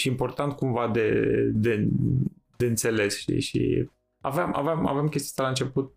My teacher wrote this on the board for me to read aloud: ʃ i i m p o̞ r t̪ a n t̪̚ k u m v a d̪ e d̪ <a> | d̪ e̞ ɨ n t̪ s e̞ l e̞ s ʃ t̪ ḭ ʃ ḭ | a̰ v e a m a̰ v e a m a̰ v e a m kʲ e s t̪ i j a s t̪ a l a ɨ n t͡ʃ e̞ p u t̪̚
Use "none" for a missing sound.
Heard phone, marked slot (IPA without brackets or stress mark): e